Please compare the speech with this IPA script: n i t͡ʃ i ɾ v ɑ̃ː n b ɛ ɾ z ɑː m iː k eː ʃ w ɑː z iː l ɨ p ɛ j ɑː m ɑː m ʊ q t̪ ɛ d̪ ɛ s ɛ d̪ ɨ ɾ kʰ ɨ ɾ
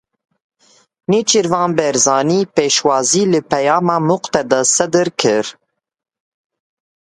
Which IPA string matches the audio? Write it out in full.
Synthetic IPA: n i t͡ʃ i ɾ v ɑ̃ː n b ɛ ɾ z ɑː n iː p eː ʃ w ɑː z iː l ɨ p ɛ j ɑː m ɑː m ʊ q t̪ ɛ d̪ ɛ s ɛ d̪ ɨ ɾ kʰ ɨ ɾ